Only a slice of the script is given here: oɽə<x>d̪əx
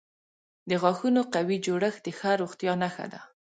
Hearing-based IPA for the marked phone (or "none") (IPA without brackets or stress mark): x